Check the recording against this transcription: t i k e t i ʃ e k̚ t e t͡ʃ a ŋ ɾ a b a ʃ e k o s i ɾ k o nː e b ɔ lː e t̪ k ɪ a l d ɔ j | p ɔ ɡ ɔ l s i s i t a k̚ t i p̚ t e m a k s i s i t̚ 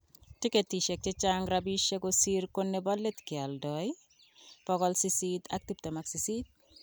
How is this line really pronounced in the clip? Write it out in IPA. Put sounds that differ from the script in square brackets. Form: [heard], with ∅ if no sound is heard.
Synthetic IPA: t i k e t i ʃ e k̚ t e t͡ʃ a ŋ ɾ a b [i] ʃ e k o s i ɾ k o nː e b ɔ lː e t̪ k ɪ a l d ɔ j | p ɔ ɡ ɔ l s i s i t a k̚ t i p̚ t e m a k s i s i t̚

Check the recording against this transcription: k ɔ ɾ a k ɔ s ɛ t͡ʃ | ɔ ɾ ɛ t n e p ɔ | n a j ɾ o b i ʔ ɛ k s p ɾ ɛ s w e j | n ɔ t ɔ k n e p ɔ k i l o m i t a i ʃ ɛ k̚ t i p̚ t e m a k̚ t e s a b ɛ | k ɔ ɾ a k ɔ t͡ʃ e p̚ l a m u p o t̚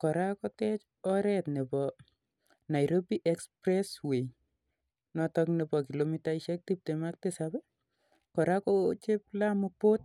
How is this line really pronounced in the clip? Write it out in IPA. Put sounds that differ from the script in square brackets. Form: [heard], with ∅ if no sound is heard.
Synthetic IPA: k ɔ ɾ a k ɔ [t] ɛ t͡ʃ | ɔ ɾ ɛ t n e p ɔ | n a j ɾ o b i ʔ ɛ k s p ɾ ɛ s w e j | n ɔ t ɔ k n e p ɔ k i l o m i t a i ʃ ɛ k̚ t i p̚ t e m a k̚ t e s a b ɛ | k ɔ ɾ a k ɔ t͡ʃ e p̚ l a m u p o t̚

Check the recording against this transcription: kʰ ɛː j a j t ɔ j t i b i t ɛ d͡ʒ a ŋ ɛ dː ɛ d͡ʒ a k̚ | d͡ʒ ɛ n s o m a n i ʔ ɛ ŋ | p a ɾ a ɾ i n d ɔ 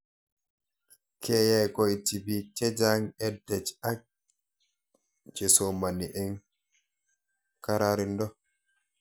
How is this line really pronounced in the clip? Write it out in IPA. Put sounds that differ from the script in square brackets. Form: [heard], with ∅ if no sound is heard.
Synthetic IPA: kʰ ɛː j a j [k] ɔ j t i b i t ɛ d͡ʒ a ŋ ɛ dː ɛ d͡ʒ a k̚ | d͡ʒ ɛ [∅] s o m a n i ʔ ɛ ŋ | [k] a ɾ a ɾ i n d ɔ

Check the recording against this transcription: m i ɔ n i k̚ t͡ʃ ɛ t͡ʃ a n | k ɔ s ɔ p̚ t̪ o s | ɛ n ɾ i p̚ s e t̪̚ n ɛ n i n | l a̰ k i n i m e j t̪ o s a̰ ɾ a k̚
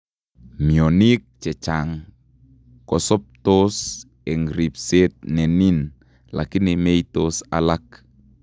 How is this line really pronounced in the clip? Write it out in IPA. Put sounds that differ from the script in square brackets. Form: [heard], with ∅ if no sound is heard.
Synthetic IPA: m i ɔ n i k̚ t͡ʃ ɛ t͡ʃ a [ŋ] | k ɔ s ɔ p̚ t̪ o s | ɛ [ŋ] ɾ i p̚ s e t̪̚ n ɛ n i n | l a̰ k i n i m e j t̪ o s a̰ [l] a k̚

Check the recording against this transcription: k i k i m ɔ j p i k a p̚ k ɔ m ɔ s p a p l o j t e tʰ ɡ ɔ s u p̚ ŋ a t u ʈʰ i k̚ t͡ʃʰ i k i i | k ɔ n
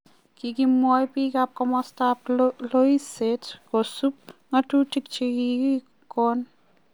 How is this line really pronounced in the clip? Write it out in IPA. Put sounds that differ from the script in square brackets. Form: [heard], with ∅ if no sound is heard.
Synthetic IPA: k i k i m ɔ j p i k a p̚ k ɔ m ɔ s [t] a p l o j [s] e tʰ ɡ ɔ s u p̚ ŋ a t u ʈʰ i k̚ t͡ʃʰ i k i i | k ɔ n

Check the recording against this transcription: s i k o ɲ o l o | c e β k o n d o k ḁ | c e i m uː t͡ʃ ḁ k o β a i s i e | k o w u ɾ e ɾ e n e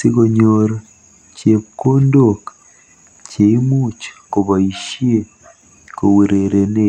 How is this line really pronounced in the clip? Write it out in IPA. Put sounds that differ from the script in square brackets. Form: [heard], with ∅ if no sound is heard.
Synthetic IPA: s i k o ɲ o [ɾ] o | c e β k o n d o k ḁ | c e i m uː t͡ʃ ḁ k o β a i [ʃ] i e | k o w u ɾ e ɾ e n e

